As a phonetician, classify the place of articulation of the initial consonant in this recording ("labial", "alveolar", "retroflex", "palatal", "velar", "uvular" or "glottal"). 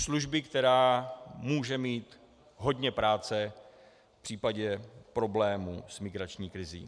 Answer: alveolar